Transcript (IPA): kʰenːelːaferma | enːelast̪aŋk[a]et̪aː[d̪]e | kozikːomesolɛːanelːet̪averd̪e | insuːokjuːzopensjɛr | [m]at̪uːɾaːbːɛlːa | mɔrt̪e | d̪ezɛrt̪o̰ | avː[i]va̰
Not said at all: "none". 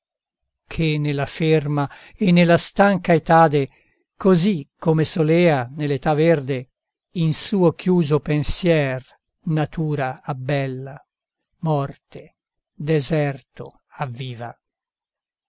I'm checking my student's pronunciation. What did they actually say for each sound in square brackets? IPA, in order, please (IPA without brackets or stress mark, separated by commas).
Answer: a, d̪, n, iː